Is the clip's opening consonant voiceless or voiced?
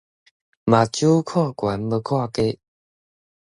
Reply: voiced